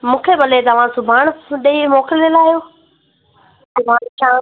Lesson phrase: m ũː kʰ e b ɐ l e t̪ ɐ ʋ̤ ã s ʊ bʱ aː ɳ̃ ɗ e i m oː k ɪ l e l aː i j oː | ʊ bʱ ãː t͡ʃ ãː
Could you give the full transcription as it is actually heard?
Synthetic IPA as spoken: m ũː kʰ e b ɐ l e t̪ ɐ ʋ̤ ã s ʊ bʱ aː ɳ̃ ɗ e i m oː k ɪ l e l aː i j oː | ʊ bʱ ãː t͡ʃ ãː